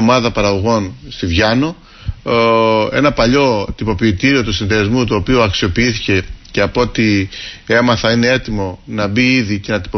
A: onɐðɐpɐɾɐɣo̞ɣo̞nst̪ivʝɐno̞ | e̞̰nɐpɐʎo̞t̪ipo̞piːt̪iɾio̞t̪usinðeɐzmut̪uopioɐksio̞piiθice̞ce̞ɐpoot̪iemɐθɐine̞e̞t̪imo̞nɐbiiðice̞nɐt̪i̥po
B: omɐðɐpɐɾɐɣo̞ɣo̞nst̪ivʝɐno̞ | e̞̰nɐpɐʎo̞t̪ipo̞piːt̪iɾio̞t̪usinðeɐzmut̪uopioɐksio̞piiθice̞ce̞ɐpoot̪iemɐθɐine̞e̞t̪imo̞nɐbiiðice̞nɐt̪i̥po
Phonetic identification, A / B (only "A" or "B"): B